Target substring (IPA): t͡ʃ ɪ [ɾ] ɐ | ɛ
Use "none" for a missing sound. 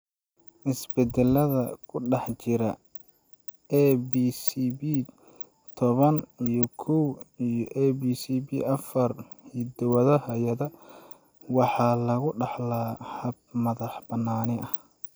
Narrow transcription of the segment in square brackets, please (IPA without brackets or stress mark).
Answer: ɾ